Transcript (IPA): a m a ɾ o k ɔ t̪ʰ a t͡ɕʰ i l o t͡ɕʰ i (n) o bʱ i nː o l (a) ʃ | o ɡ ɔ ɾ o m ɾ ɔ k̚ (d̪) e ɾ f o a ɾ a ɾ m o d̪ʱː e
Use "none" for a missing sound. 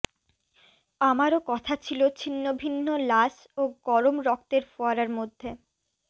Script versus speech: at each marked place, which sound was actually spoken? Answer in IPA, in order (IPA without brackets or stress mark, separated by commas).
nː, a, t̪